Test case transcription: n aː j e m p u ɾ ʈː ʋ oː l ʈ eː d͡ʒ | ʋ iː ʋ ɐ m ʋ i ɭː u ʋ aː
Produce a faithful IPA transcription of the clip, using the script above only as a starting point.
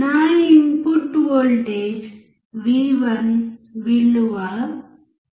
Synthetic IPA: n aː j i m p u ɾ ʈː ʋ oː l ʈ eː d͡ʒ | ʋ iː ʋ ɐ n ʋ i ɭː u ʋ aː